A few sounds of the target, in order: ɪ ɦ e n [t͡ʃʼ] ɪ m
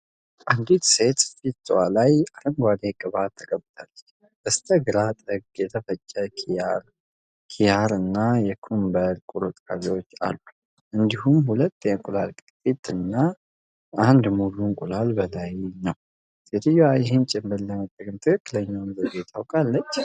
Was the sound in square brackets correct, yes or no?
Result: yes